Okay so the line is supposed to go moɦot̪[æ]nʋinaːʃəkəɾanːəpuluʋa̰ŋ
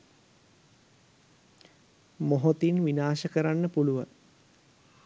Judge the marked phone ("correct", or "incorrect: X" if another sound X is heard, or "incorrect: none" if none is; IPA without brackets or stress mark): incorrect: i